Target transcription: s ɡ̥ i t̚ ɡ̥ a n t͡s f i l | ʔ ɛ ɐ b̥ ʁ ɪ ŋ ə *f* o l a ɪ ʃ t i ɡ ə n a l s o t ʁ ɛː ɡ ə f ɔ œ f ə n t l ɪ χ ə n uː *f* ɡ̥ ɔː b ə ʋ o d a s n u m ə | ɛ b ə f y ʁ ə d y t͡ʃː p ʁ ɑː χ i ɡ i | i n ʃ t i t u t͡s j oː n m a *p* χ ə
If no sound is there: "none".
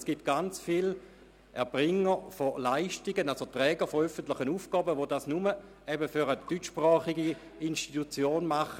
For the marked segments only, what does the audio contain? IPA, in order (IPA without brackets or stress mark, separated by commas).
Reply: f, f, none